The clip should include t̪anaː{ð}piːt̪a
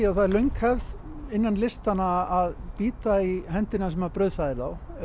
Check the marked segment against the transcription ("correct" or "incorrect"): correct